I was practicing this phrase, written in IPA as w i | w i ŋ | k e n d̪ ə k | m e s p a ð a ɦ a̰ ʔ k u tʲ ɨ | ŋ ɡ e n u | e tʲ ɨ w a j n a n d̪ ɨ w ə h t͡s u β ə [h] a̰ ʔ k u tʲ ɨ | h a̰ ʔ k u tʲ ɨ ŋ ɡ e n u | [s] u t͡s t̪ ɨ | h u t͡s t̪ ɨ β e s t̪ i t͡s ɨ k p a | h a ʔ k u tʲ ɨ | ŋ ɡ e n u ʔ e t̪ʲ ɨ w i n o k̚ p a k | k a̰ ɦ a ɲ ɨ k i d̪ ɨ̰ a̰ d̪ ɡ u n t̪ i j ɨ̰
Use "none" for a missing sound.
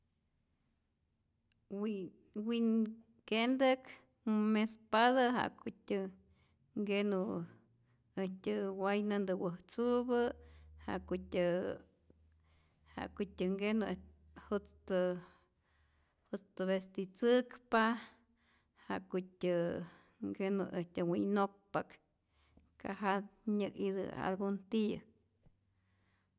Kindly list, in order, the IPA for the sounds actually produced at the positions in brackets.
h, h

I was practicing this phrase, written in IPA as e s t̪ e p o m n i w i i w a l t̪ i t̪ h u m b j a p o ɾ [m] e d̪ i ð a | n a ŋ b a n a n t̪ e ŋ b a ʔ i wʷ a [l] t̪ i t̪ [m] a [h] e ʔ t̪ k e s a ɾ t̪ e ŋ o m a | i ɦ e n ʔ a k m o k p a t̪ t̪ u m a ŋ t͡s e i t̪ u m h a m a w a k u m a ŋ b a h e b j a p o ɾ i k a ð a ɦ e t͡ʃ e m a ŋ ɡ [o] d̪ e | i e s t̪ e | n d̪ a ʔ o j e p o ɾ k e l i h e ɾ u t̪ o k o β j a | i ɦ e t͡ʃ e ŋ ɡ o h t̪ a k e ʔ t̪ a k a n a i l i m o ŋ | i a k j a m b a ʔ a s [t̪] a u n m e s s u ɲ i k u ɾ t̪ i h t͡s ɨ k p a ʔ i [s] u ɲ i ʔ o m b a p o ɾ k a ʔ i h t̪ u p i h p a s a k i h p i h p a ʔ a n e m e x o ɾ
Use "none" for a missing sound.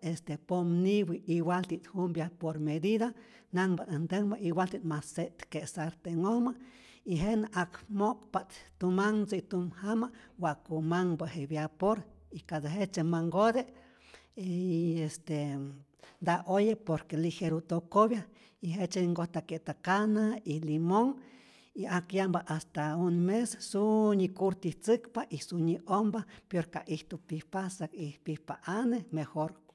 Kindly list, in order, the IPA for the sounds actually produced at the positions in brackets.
m, l, m, s, o, t̪, s

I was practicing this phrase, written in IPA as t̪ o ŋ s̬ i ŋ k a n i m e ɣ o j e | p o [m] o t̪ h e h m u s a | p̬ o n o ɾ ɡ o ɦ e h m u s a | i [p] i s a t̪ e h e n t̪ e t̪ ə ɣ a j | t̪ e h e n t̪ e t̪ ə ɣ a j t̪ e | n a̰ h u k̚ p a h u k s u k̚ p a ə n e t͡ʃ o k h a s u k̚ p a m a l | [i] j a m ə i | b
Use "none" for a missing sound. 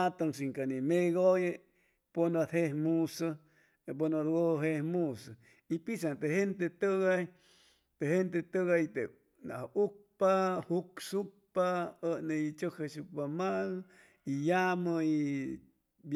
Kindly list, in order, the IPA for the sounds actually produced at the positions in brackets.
n, p, i

